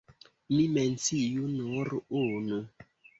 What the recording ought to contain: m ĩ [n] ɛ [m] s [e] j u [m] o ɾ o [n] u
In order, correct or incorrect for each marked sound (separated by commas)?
incorrect, incorrect, incorrect, incorrect, correct